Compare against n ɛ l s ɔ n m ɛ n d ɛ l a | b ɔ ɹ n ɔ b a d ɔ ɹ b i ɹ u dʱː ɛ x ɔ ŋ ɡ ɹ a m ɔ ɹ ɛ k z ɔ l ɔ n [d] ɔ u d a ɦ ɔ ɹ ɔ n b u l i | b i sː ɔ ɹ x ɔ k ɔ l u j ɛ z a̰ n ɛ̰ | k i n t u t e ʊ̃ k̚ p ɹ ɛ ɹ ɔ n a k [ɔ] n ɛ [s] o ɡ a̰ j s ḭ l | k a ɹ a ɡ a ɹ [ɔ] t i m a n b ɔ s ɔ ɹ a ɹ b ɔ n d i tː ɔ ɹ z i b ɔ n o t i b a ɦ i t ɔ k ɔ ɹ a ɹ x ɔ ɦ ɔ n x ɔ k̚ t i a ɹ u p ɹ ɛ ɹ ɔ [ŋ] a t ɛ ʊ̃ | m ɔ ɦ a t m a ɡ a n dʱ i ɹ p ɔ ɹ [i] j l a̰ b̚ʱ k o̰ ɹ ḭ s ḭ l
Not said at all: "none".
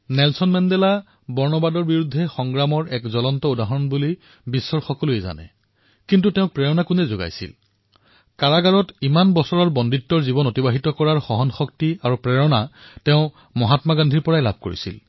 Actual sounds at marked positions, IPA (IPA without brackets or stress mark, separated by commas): t, u, z, ɔ, n, a